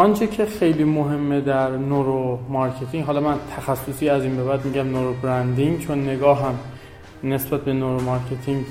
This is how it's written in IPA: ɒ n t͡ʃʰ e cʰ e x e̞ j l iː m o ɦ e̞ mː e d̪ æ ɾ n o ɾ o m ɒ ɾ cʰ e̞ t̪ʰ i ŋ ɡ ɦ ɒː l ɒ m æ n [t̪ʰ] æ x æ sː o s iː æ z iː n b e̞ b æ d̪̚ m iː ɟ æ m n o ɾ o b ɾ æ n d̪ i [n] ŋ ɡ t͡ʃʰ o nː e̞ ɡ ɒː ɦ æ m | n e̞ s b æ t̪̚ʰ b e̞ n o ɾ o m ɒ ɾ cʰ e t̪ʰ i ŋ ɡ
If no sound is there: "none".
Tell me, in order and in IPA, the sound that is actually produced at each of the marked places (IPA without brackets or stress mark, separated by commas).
t̪ʰ, none